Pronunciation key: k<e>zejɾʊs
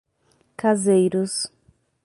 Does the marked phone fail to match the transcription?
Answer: yes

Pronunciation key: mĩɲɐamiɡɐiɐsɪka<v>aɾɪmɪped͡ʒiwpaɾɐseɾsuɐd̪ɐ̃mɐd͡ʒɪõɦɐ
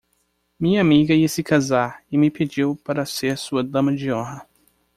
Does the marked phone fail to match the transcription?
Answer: yes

